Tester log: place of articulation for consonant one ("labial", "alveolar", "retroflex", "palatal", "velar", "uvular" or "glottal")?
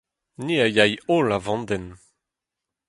alveolar